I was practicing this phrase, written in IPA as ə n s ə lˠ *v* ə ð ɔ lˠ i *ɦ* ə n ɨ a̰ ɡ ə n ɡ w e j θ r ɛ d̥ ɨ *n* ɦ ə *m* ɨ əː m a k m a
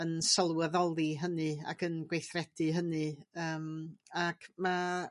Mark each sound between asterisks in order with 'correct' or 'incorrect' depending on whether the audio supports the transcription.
incorrect, correct, incorrect, incorrect

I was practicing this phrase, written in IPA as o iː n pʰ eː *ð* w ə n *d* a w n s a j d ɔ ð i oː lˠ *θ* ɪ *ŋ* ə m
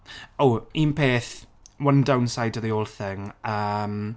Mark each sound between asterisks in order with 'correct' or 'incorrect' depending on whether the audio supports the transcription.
incorrect, correct, correct, correct

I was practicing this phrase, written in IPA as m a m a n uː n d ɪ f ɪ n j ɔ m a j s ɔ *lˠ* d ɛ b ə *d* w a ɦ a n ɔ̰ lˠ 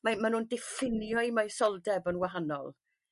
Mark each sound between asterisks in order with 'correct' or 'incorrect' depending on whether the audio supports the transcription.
correct, incorrect

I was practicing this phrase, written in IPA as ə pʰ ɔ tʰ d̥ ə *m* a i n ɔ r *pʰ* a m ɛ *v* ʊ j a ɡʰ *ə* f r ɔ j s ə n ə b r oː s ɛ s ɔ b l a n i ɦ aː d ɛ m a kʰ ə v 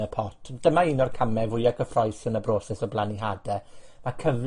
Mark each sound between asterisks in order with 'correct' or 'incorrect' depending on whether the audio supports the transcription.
correct, incorrect, correct, correct

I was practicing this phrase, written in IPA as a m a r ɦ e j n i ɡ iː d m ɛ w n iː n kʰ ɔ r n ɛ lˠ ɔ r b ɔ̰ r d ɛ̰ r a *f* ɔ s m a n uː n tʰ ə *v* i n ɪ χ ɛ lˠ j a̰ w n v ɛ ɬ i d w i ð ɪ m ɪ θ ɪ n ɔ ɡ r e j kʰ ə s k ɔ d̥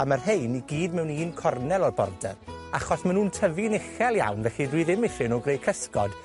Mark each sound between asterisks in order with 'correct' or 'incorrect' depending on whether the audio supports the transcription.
incorrect, correct

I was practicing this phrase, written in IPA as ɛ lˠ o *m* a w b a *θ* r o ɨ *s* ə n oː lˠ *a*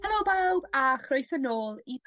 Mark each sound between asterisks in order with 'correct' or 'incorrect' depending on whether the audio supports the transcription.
incorrect, incorrect, correct, incorrect

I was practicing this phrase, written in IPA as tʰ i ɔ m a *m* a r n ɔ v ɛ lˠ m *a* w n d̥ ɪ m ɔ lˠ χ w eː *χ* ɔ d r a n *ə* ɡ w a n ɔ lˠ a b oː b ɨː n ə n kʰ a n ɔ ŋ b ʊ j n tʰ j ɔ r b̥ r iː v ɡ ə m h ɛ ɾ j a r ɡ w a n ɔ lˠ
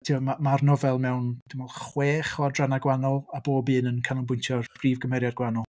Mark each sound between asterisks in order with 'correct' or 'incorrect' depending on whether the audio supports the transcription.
correct, incorrect, correct, incorrect

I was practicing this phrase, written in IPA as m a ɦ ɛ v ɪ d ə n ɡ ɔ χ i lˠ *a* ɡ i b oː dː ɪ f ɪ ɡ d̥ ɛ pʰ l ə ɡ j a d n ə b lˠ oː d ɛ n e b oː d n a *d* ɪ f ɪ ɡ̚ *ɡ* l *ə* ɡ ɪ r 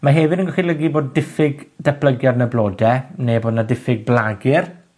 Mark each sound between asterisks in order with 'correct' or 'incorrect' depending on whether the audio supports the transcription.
incorrect, correct, incorrect, incorrect

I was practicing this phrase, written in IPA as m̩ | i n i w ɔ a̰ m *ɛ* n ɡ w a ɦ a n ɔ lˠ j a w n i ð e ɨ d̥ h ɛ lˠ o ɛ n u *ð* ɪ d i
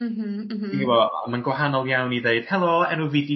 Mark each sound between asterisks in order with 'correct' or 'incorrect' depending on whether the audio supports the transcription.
incorrect, incorrect

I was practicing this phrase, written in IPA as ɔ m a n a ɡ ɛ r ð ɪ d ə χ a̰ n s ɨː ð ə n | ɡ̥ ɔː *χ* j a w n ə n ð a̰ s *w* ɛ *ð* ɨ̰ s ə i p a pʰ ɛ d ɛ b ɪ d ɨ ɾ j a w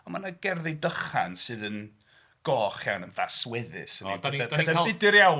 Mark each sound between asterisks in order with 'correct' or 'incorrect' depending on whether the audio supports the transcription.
correct, correct, correct

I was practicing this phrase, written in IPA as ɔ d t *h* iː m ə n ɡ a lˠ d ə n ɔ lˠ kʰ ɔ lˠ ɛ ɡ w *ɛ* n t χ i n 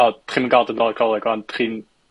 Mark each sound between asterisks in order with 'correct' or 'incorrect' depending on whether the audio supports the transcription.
incorrect, incorrect

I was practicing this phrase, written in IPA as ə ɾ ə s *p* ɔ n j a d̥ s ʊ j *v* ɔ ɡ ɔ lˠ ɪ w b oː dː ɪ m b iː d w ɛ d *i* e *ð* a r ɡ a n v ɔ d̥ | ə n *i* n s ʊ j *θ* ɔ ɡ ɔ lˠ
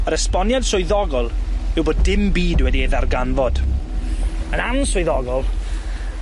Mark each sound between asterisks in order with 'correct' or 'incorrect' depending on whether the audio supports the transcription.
correct, incorrect, correct, correct, incorrect, incorrect

